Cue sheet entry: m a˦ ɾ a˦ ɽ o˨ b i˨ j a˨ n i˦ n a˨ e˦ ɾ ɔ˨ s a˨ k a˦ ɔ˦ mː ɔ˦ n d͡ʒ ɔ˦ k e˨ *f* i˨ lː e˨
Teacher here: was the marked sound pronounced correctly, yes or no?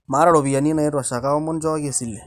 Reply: no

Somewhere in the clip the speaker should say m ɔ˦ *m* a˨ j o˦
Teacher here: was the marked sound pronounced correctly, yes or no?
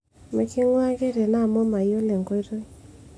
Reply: yes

